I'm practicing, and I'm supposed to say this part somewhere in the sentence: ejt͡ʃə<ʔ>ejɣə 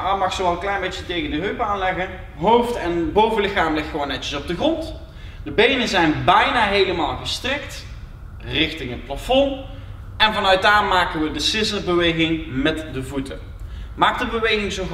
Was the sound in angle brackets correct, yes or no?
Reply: no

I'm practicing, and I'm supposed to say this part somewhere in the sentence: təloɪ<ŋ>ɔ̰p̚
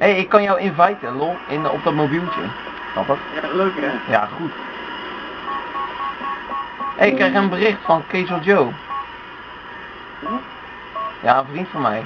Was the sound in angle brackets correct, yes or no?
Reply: no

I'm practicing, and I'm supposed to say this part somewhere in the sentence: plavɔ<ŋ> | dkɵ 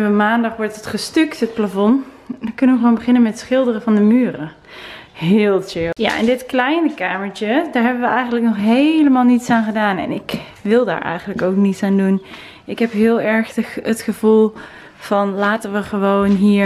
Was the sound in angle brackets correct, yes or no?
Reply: no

